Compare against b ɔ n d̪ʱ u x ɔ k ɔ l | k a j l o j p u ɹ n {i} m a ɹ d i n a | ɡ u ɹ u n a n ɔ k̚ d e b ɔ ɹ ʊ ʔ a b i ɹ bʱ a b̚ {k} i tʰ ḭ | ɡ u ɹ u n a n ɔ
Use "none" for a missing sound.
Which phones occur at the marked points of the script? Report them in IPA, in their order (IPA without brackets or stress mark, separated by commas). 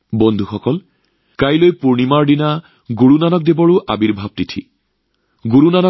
i, t